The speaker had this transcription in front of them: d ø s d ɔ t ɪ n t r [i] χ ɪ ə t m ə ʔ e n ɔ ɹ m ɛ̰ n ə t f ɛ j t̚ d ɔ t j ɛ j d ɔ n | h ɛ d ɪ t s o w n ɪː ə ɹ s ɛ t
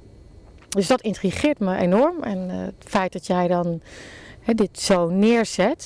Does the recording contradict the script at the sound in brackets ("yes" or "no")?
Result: no